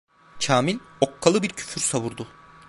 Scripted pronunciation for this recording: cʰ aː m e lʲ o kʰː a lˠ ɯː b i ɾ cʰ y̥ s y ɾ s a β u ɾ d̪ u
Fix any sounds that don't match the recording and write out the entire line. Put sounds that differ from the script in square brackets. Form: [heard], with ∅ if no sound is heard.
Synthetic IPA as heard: cʰ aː m [i] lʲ o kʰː a lˠ [ɯ] b i ɾ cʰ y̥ [f] y ɾ s a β u ɾ d̪ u